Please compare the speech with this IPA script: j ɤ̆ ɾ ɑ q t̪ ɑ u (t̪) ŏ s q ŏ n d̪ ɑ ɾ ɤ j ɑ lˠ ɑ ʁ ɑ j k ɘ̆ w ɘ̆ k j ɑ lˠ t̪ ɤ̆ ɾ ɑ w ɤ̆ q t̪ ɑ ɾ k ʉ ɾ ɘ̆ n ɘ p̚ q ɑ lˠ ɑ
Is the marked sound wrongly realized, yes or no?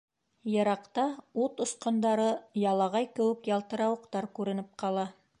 no